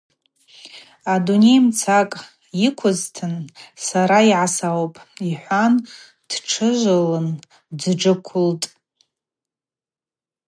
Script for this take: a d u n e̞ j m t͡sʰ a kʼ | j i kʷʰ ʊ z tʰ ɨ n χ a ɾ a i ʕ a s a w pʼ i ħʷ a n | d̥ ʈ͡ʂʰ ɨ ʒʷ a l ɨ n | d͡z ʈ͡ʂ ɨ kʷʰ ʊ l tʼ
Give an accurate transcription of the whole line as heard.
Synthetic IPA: a d u n e̞ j m t͡sʰ a kʼ | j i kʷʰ ʊ z tʰ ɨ n s a ɾ a i ʕ a s a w pʼ i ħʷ a n | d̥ ʈ͡ʂʰ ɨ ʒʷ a l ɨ n | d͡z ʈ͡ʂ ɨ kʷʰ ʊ l tʼ